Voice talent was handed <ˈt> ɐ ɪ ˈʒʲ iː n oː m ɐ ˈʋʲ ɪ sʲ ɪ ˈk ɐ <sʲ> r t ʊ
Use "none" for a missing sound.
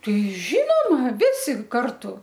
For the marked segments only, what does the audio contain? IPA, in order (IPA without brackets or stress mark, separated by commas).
t, none